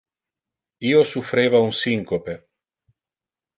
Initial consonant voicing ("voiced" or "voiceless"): voiceless